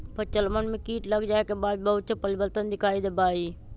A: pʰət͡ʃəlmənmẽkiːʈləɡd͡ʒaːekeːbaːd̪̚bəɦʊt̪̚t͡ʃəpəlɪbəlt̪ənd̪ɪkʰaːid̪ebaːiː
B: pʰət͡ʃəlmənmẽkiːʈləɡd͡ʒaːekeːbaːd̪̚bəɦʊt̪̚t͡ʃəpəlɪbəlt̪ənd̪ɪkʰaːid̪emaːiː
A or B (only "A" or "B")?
A